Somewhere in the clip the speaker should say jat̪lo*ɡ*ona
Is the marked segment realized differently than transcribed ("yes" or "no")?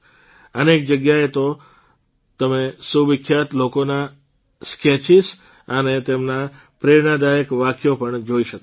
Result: yes